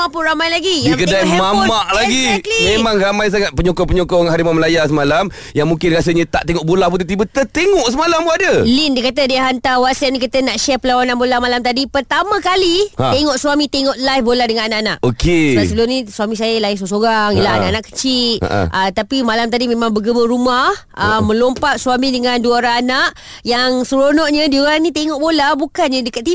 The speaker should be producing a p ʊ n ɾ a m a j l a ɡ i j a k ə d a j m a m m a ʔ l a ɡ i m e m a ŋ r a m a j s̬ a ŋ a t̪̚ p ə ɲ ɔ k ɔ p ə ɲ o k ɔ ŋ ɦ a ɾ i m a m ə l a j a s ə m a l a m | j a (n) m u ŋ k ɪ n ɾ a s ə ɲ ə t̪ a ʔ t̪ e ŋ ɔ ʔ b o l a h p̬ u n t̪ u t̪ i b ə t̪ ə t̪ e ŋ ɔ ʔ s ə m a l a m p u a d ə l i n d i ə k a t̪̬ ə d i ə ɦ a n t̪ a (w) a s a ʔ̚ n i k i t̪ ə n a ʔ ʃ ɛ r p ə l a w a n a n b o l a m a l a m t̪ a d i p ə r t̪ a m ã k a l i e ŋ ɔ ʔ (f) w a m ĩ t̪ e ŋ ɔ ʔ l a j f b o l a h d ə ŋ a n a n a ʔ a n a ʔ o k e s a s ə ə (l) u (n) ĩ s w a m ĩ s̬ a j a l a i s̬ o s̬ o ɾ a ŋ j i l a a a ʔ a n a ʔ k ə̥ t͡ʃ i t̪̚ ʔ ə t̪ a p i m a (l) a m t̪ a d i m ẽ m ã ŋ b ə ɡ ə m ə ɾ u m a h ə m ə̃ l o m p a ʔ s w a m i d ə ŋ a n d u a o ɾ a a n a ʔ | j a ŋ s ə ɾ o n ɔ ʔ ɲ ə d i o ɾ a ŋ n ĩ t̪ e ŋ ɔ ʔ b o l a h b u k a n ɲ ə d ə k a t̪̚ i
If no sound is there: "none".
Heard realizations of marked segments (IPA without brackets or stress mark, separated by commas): ŋ, w, s, l, n, l